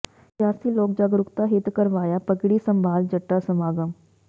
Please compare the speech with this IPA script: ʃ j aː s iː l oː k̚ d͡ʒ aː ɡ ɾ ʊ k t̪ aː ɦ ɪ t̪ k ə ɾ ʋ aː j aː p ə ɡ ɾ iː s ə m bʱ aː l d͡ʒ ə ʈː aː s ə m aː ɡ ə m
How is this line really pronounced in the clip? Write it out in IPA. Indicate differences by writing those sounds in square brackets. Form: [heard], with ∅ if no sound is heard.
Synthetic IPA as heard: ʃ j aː s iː l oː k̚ d͡ʒ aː ɡ ɾ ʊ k t̪ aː ɦ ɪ t̪ k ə ɾ ʋ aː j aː p ə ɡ [ɽ] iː s ə m bʱ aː l d͡ʒ ə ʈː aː s ə m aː ɡ ə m